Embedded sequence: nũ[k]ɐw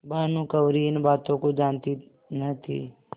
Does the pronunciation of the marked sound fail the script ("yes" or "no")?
no